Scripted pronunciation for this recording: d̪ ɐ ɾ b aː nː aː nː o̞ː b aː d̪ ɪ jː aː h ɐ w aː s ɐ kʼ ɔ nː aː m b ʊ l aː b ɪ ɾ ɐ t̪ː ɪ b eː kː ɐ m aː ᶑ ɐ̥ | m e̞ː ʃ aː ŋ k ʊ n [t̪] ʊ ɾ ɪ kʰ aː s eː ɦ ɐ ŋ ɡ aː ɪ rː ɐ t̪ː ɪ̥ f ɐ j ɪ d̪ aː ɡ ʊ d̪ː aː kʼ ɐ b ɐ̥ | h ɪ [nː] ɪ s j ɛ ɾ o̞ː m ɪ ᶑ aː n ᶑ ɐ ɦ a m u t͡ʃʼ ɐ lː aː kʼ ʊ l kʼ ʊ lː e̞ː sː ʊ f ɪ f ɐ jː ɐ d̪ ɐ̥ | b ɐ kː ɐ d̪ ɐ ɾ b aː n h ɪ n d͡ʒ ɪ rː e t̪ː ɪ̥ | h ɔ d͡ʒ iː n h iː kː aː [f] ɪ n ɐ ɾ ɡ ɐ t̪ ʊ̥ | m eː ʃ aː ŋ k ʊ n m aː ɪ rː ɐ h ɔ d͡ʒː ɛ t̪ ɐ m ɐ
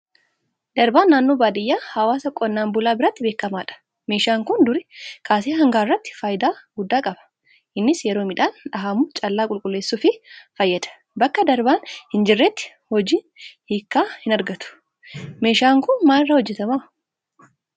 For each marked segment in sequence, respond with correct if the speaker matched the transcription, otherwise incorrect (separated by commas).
incorrect, correct, incorrect